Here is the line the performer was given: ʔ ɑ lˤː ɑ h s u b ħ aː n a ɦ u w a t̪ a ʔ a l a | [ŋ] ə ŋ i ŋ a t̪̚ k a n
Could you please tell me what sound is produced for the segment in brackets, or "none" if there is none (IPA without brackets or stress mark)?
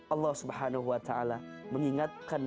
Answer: m